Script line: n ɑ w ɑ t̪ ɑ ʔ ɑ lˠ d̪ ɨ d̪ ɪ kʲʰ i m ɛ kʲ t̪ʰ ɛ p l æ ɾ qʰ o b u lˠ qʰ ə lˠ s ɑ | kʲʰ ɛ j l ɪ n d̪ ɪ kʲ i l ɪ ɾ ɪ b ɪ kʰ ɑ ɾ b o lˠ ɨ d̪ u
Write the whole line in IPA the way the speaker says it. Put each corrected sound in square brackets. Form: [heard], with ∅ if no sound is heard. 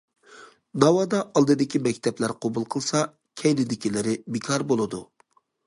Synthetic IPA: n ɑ w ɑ [d̪] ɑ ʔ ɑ lˠ d̪ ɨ d̪ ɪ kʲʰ i m ɛ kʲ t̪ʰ ɛ p l æ ɾ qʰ o b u lˠ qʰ ə lˠ s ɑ | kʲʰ ɛ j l ɪ [∅] d̪ ɪ kʲ i l ɪ ɾ ɪ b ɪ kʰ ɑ ɾ b o lˠ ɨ d̪ u